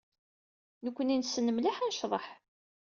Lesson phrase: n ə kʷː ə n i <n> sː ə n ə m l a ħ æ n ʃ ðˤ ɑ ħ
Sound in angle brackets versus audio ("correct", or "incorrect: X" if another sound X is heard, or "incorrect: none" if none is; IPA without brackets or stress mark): correct